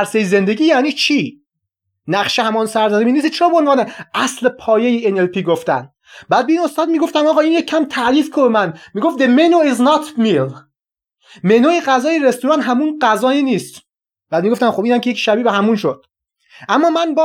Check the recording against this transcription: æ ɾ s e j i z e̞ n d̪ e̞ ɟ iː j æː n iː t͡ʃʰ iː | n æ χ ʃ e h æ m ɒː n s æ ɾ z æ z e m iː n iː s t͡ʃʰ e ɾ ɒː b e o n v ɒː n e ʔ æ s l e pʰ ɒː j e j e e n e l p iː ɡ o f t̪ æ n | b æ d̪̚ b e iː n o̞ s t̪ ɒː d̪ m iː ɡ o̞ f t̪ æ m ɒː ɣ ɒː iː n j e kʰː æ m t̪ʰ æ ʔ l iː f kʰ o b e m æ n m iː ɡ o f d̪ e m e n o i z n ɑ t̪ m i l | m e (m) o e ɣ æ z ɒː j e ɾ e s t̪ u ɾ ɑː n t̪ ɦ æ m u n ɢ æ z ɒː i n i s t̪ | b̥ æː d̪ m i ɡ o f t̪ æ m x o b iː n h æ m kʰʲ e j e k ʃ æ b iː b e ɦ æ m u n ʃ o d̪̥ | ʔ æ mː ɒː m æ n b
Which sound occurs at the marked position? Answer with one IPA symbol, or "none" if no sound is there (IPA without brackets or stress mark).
n